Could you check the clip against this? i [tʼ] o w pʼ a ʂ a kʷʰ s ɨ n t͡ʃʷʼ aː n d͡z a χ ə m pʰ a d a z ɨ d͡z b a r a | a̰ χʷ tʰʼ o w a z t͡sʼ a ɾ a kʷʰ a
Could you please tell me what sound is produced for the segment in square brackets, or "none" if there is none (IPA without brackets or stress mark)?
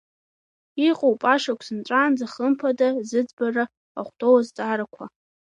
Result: qʼ